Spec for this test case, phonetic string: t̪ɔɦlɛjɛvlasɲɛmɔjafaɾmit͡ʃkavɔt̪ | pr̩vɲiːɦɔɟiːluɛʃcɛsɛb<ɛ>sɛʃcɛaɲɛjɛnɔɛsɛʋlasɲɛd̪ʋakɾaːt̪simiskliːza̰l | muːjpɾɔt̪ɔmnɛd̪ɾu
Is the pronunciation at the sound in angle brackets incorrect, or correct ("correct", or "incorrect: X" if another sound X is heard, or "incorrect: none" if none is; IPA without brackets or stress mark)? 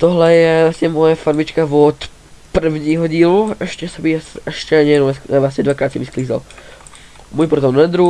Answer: incorrect: i